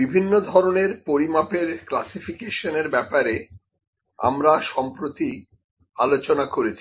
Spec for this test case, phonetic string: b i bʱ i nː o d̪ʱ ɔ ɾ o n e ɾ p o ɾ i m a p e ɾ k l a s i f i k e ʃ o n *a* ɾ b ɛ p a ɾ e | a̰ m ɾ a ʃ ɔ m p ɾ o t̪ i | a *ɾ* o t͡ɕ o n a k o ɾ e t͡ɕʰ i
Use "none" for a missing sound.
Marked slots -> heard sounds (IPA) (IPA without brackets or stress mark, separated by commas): e, l